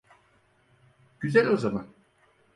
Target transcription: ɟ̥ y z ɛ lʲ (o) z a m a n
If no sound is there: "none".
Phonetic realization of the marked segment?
o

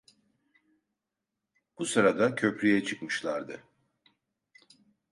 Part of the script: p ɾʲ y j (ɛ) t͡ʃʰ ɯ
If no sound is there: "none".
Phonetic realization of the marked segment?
ɛ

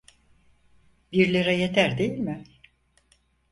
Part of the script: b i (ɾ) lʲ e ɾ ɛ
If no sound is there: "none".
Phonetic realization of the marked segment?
ɾ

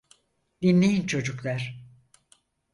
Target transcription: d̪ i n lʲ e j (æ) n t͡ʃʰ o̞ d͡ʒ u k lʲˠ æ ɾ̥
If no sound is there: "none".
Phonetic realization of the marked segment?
i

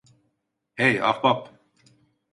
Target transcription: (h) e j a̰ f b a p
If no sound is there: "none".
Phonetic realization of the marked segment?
h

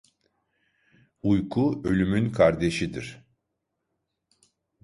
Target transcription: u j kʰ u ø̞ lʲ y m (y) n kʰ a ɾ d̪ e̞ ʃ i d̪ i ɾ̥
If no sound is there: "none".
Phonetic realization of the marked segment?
y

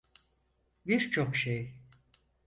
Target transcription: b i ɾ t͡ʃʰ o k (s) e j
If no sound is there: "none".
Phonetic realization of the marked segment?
ʃ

